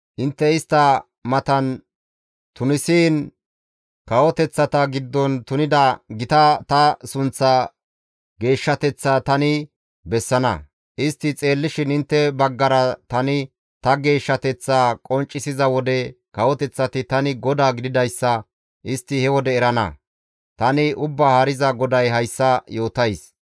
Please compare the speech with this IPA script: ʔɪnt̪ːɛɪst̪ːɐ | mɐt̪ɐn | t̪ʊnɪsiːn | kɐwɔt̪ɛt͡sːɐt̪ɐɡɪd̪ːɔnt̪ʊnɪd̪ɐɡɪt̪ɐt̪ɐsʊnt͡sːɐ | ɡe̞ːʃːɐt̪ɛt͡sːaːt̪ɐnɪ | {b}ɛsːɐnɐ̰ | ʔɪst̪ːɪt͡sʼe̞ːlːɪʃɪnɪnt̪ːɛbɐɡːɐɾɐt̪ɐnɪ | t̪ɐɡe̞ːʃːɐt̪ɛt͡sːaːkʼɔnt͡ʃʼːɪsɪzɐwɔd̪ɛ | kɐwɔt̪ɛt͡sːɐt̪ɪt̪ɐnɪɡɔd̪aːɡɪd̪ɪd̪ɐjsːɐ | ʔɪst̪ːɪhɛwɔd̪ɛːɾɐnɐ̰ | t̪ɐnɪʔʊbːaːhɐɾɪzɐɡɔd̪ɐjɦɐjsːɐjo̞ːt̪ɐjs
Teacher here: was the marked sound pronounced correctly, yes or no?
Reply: yes